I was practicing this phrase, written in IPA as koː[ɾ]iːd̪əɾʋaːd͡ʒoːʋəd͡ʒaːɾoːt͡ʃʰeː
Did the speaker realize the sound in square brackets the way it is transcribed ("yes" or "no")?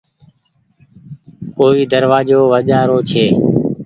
no